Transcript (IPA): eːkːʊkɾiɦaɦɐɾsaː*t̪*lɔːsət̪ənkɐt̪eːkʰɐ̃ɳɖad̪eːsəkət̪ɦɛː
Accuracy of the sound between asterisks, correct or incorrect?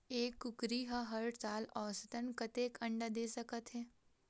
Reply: incorrect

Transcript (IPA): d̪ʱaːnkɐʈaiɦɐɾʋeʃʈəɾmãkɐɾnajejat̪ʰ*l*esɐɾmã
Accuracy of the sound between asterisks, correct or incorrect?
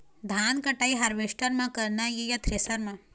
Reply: incorrect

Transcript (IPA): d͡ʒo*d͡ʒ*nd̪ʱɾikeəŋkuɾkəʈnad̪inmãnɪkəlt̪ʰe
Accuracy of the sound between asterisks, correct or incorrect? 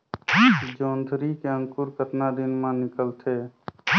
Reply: incorrect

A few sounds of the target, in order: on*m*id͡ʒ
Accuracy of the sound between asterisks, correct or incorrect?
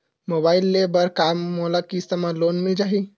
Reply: correct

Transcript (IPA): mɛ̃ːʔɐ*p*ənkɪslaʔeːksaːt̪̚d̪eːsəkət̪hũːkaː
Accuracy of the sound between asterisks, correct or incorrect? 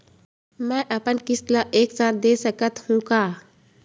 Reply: correct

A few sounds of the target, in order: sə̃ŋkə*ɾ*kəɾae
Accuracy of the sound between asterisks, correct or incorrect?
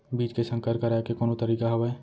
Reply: correct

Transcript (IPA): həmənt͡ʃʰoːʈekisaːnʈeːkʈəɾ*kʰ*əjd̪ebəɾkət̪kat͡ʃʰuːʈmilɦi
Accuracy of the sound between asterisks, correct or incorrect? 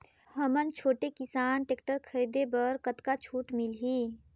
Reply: correct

